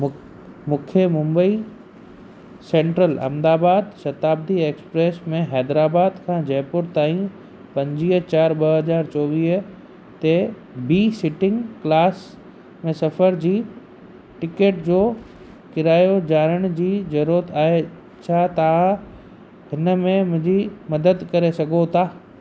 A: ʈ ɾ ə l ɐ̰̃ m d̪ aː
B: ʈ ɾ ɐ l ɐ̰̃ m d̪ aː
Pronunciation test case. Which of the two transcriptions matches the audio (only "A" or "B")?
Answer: A